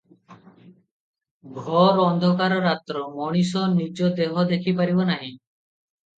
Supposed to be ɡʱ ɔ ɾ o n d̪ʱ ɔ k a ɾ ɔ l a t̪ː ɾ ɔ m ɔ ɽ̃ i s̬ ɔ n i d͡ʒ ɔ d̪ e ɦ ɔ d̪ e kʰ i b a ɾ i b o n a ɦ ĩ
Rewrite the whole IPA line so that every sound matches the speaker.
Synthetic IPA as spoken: ɡʱ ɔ ɾ ɔ n d̪ʱ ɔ k a ɾ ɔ ɾ a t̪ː ɾ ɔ m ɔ ɽ̃ i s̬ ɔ n i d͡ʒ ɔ d̪ e ɦ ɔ d̪ e kʰ i p a ɾ i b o n a ɦ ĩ